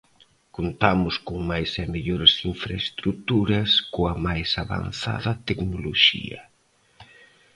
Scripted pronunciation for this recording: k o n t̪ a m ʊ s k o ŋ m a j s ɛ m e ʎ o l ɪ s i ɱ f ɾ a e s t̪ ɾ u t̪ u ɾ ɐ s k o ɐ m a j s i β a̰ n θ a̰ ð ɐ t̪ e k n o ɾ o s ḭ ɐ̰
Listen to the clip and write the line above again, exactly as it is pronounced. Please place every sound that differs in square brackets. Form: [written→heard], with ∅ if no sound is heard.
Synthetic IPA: k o n t̪ a m ʊ s k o ŋ m a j s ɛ m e ʎ o [l→ɾ] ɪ s i ɱ f ɾ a e s t̪ ɾ u t̪ u ɾ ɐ s k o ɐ m a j s [i→a] β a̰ n θ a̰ ð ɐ t̪ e k n o [ɾ→l] o [s→ʃ] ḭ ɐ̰